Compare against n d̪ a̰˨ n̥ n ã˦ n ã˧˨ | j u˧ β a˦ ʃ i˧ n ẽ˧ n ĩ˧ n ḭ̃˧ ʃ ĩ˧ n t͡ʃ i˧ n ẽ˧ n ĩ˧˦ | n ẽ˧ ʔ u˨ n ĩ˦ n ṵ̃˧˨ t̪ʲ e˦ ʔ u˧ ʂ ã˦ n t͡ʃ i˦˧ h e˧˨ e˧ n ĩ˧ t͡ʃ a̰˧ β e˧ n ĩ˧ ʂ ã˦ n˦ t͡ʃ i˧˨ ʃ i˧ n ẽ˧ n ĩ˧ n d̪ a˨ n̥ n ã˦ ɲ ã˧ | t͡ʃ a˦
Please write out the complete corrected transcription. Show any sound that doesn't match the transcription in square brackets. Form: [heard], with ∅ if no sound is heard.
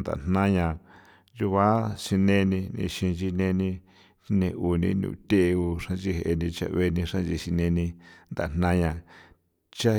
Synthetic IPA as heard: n d̪ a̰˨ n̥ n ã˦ [ɲ] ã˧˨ | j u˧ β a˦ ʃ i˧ n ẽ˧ n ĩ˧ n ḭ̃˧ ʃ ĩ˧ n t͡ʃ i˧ n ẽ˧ n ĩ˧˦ | n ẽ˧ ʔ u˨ n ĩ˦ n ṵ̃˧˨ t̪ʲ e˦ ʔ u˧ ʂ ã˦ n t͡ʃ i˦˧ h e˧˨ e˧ n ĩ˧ t͡ʃ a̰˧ β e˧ n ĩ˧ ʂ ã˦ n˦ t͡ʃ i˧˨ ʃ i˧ n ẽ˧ n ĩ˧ n d̪ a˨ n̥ n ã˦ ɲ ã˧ | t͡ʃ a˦